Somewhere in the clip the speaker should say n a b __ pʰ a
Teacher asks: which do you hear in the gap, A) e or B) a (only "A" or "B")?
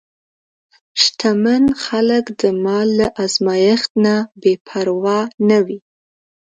A